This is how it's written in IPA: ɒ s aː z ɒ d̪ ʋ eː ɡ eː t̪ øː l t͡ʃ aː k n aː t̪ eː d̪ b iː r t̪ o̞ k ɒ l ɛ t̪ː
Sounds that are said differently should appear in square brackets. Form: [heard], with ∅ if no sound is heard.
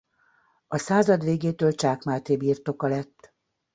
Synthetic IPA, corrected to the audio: ɒ s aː z ɒ d̪ ʋ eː ɡ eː t̪ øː l t͡ʃ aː k [m] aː t̪ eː [∅] b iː r t̪ o̞ k ɒ l ɛ t̪ː